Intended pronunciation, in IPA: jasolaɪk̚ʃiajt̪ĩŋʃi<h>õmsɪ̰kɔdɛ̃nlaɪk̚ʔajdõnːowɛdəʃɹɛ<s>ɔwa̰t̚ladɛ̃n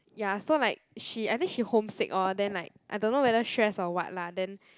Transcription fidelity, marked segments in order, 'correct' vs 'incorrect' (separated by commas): correct, correct